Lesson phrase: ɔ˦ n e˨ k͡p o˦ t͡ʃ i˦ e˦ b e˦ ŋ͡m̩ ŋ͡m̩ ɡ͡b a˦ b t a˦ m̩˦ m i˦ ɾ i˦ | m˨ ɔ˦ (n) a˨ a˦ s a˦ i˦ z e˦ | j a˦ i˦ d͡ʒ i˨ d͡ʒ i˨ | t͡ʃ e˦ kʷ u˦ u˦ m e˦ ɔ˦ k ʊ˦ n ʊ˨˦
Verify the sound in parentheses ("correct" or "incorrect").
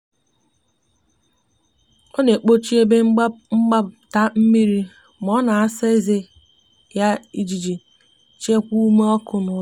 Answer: correct